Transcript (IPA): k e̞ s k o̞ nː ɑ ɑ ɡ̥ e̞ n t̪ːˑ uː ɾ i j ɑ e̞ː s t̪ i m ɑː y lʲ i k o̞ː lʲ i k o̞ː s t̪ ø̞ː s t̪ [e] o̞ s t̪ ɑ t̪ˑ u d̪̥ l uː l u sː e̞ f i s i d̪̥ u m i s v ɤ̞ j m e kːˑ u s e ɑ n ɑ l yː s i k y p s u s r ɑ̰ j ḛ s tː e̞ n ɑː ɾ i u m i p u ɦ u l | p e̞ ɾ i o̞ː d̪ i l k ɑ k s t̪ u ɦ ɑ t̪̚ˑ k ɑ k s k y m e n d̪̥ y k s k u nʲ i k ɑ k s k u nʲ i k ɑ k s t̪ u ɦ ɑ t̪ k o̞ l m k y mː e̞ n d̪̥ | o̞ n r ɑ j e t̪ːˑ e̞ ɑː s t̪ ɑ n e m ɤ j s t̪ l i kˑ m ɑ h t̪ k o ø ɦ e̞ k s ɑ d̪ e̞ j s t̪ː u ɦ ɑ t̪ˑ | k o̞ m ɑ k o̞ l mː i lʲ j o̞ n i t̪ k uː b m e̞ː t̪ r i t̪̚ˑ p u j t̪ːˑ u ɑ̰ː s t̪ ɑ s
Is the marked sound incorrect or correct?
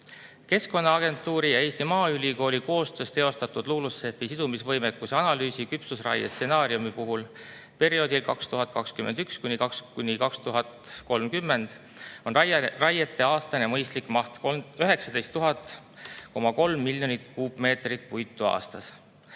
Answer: correct